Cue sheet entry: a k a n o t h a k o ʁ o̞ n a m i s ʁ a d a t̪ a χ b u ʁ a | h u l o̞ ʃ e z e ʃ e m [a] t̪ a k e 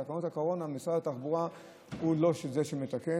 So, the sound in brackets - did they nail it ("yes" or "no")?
no